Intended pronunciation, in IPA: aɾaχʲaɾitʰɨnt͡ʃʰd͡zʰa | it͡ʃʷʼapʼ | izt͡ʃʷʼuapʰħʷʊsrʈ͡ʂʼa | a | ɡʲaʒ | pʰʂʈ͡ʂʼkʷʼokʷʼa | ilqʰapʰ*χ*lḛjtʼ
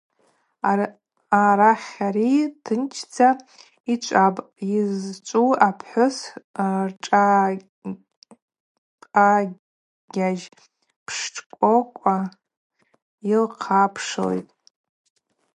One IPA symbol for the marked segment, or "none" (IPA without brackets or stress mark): ʂ